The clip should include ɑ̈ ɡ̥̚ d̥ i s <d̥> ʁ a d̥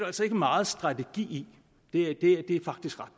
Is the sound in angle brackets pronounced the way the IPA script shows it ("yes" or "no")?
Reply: no